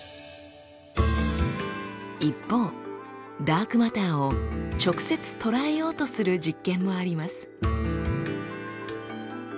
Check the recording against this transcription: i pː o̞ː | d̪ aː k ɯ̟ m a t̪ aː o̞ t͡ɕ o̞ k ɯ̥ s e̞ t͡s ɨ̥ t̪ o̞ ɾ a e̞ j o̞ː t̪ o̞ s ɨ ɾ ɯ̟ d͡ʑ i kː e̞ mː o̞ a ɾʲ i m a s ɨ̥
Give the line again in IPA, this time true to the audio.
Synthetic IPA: i pː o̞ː | d̪ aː k ɯ̟ m a t̪ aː o̞ t͡ɕ o̞ k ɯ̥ s e̞ t͡s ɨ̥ t̪ o̞ ɾ a e̞ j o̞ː t̪ o̞ s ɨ ɾ ɯ̟ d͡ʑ i kː ẽ̞ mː o̞ a ɾʲ i m a s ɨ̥